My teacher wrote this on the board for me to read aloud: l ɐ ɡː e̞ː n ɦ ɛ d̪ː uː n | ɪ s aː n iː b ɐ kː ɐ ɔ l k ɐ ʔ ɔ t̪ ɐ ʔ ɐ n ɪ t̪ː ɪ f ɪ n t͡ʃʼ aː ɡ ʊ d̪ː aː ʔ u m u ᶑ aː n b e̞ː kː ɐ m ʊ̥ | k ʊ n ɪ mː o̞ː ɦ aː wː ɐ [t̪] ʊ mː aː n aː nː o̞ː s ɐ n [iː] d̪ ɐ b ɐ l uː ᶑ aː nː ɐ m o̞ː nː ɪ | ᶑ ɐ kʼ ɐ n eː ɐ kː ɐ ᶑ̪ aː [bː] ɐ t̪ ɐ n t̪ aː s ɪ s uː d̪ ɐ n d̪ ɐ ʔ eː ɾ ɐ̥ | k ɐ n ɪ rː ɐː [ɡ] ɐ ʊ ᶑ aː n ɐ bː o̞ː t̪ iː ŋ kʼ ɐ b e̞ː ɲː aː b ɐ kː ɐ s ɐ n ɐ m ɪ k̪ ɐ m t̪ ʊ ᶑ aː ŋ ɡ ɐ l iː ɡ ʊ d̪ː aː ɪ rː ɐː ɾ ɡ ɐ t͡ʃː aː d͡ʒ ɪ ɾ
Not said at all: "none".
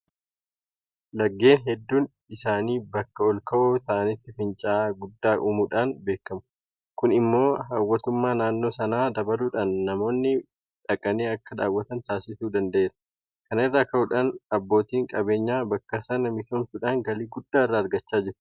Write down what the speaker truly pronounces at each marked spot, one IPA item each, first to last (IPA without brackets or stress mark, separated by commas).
t̪, aː, wː, k